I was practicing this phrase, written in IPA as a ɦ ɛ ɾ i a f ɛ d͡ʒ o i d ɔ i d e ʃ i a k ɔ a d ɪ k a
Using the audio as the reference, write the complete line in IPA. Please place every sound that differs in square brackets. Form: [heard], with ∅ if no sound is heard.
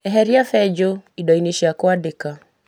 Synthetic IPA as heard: [ɛ] ɦ ɛ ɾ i a f ɛ d͡ʒ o i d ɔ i [n] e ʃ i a k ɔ a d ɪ k a